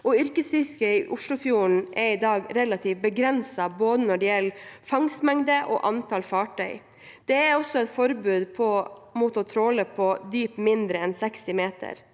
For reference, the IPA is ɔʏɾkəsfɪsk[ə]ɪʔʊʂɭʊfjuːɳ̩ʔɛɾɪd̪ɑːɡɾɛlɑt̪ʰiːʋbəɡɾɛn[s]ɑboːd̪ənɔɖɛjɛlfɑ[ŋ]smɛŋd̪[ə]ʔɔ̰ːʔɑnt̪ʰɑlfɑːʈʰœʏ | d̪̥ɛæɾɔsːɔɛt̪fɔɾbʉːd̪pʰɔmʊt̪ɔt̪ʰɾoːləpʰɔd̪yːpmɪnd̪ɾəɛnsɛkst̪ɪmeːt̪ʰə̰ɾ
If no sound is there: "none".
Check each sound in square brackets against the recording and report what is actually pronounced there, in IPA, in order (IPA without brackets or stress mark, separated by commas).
ə, s, ŋ, ə